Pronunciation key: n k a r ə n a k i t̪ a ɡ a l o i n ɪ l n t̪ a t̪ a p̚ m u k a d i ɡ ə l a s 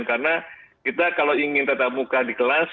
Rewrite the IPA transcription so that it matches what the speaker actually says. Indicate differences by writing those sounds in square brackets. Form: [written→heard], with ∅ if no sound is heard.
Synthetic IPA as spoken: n k a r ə n a k i t̪ a [ɡ→k] a l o i [n→ŋ] ɪ [l→∅] n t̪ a t̪ a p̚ m u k a d i [ɡ→k] ə l a s